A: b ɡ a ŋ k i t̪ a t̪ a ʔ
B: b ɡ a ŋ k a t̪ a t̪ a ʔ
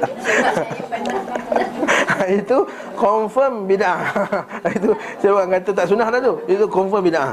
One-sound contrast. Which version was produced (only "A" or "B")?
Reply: B